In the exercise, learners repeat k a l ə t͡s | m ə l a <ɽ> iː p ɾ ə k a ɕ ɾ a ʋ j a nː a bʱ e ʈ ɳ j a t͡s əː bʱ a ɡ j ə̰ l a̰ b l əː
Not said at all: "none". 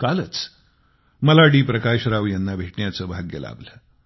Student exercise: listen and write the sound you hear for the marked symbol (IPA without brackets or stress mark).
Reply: ɽ